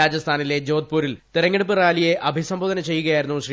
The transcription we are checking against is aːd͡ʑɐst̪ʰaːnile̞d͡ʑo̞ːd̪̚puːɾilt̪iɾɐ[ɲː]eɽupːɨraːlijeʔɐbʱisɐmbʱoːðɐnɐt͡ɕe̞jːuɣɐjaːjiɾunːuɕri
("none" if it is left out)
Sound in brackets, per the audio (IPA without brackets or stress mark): ŋː